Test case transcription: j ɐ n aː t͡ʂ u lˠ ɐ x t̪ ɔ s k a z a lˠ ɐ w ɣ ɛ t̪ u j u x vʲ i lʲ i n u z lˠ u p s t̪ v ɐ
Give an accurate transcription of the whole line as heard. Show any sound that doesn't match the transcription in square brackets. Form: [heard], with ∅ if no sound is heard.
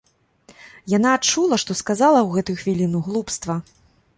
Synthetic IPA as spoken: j [a] n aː t͡ʂ u lˠ ɐ [ʂ] t̪ ɔ s k a z a lˠ ɐ w ɣ ɛ t̪ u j u x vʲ i lʲ i n u [ɣ] lˠ u p s t̪ v ɐ

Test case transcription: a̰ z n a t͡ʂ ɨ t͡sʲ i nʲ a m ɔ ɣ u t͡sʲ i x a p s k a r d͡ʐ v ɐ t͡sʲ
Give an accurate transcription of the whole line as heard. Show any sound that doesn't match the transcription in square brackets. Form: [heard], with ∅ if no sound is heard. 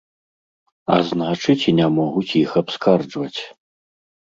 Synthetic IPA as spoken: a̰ z n a t͡ʂ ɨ t͡sʲ i nʲ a m ɔ ɣ u t͡sʲ i x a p s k a r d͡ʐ v ɐ t͡sʲ

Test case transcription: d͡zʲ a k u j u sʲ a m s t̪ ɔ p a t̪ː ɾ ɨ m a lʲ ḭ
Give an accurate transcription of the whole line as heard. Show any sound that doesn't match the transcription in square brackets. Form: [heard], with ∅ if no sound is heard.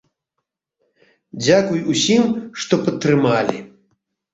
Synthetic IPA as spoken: d͡zʲ a k u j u sʲ [i] m [ʂ] t̪ ɔ p [ɐ] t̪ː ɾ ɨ m a lʲ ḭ

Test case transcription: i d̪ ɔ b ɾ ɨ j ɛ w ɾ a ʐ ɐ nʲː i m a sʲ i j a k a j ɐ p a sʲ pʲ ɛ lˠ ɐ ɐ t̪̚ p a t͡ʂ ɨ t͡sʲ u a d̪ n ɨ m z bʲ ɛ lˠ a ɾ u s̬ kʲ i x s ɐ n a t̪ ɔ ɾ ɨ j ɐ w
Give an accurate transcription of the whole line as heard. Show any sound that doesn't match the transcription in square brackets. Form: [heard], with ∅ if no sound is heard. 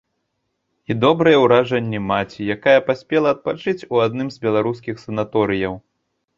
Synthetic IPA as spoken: i d̪ ɔ b ɾ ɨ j ɛ w ɾ a ʐ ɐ nʲː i m a [t͡sʲ] i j a k a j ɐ p a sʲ pʲ ɛ lˠ ɐ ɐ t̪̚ p a t͡ʂ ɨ t͡sʲ u a d̪ n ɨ m z bʲ ɛ lˠ a ɾ u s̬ kʲ i x s ɐ n a t̪ ɔ ɾ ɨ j ɐ w

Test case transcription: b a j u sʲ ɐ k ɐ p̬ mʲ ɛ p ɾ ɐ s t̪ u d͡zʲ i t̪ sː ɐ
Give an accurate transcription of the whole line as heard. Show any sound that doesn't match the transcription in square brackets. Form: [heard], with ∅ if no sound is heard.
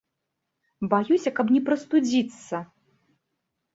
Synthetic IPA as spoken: b a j u sʲ ɐ k ɐ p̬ [nʲ] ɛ p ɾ ɐ s t̪ u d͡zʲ i t̪ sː ɐ

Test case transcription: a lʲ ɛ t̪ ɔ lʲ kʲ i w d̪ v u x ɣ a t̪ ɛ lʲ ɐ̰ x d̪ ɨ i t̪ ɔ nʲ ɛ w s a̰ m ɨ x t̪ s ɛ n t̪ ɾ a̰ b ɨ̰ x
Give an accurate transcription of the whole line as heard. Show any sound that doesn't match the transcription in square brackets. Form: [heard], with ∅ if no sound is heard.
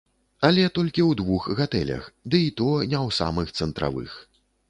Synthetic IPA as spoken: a lʲ ɛ t̪ ɔ lʲ kʲ i w d̪ v u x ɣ a t̪ ɛ lʲ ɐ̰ x d̪ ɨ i t̪ ɔ nʲ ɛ w s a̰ m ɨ x t̪ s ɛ n t̪ ɾ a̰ [v] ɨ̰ x

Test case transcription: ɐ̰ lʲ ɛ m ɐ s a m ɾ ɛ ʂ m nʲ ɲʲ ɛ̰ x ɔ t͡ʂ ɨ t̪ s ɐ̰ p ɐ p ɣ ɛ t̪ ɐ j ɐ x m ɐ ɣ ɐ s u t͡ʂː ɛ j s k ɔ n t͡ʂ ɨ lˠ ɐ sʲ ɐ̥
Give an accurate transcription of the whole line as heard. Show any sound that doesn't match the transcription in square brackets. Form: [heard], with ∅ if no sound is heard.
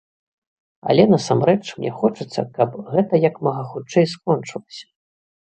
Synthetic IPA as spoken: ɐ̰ lʲ ɛ [n] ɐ s a m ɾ ɛ [t͡ʂ] m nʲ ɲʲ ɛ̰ x ɔ t͡ʂ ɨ t̪ [sː] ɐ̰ [k] ɐ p ɣ ɛ t̪ ɐ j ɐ [k] m ɐ ɣ ɐ [x] u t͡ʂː ɛ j s k ɔ n t͡ʂ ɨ lˠ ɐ sʲ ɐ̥

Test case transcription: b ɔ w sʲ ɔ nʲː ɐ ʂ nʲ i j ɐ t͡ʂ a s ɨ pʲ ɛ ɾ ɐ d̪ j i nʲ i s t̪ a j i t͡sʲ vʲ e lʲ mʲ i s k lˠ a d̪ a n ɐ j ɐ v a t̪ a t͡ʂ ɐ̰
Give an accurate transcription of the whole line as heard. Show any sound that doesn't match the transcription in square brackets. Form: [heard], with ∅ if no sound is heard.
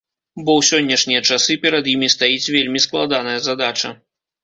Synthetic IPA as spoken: b ɔ w sʲ ɔ nʲː ɐ ʂ nʲ i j ɐ t͡ʂ a s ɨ pʲ ɛ ɾ ɐ d̪ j i [mʲ] i s t̪ a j i t͡sʲ vʲ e lʲ mʲ i s k lˠ a d̪ a n ɐ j ɐ [z] a [d̪] a t͡ʂ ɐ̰

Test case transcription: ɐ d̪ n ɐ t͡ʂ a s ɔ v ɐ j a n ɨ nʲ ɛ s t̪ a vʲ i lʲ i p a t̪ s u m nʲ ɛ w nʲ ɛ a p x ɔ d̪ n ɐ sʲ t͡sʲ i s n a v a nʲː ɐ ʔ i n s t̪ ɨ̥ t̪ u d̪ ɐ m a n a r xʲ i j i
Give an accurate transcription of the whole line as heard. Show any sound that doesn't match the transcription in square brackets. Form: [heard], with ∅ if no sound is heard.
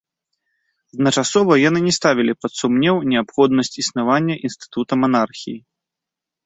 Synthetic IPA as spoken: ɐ d̪ n ɐ t͡ʂ a s ɔ v ɐ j a n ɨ nʲ ɛ s t̪ a vʲ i lʲ i p [ɐ] t̪ s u m nʲ ɛ w nʲ ɛ a p x ɔ d̪ n ɐ sʲ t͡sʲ i s n a v a nʲː ɐ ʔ i n s t̪ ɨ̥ t̪ u [t̪] ɐ m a n a r xʲ i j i

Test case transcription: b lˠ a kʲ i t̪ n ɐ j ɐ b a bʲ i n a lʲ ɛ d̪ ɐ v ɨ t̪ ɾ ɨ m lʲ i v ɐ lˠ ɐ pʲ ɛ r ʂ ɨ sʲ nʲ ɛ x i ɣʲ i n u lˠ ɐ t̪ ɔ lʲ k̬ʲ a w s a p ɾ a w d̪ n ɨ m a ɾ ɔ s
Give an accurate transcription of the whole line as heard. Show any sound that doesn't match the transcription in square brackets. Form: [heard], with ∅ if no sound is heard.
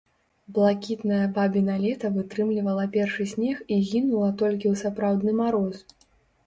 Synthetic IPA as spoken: b lˠ a kʲ i t̪ n ɐ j ɐ b a bʲ i n a lʲ ɛ [t̪] ɐ v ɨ t̪ ɾ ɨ m lʲ i v ɐ lˠ ɐ pʲ ɛ r ʂ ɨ sʲ nʲ ɛ x i ɣʲ i n u lˠ ɐ t̪ ɔ lʲ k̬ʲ [i] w s a p ɾ a w d̪ n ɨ m a ɾ ɔ s

